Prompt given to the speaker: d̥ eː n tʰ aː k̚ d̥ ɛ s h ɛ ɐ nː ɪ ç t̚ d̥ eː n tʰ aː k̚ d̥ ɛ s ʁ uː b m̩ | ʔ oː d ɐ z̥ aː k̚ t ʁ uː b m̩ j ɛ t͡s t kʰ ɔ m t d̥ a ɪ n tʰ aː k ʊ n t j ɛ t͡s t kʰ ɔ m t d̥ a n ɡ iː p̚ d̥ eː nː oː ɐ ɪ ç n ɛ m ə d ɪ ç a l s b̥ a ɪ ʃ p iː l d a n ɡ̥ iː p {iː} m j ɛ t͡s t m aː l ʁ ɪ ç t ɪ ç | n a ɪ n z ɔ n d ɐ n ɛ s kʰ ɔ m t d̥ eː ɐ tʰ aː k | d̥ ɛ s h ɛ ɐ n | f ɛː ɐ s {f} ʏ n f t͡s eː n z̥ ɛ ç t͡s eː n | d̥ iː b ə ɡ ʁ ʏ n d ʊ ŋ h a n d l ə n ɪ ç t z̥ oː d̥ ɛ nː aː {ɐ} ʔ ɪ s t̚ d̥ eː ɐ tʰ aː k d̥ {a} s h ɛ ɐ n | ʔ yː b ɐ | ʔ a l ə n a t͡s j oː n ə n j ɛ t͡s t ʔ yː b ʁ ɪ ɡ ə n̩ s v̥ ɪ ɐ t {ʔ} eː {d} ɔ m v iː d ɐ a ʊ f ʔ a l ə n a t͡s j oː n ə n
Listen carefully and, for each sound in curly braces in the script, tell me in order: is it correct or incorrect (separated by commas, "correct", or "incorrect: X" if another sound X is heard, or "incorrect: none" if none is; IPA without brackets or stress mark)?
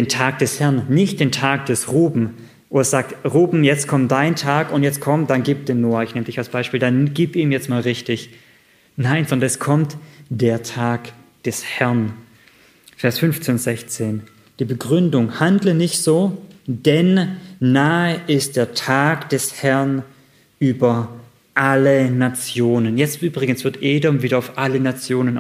correct, correct, incorrect: ə, incorrect: ɛ, correct, correct